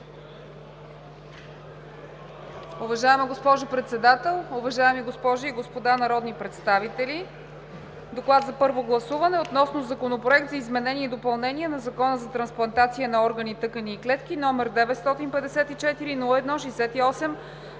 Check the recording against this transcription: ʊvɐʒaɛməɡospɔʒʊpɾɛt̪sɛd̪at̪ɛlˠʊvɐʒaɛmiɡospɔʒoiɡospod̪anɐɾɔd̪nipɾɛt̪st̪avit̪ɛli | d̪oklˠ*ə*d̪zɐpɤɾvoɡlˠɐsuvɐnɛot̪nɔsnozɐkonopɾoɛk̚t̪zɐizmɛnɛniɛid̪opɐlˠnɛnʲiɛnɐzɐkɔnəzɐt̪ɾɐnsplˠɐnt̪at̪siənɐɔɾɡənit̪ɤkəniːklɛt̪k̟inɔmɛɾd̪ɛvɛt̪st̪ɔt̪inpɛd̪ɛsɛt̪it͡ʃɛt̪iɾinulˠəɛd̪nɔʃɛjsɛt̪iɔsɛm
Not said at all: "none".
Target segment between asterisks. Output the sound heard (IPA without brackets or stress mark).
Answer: a